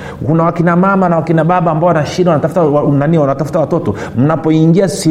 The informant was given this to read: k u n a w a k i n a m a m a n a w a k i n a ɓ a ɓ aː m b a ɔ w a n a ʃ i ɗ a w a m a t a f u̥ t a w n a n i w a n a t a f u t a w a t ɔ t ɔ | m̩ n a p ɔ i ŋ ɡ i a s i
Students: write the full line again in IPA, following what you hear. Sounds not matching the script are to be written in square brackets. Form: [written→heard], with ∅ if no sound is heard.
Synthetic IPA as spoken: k u n a w a k i n a m a m a n a w a k i n a ɓ a ɓ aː m b a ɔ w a n a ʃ i ɗ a w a [m→n] a t a f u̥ t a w n a n i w a n a t a f u t a w a t ɔ t ɔ | m̩ n a p ɔ i ŋ ɡ i a s i